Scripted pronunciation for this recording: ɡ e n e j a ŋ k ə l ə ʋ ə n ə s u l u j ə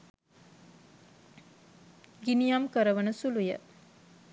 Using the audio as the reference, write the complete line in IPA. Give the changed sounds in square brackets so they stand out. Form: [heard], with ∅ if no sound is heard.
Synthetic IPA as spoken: ɡ [i] n [i] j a [m] k ə [ɾ] ə ʋ ə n ə s u l u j ə